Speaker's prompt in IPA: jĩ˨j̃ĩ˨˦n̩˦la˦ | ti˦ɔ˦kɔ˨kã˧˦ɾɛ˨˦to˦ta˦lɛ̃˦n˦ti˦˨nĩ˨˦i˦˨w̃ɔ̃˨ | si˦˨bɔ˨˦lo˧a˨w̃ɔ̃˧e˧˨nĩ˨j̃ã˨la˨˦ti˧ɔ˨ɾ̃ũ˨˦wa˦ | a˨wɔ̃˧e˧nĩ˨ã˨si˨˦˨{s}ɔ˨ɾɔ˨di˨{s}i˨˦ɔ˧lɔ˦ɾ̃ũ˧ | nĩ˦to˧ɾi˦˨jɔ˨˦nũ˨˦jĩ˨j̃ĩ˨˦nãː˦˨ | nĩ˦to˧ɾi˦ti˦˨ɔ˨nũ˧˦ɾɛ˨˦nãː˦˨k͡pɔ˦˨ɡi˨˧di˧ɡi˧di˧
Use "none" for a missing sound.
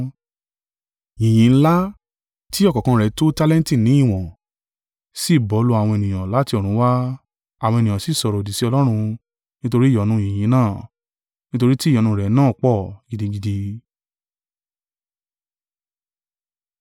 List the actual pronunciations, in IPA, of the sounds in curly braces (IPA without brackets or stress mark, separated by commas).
s, s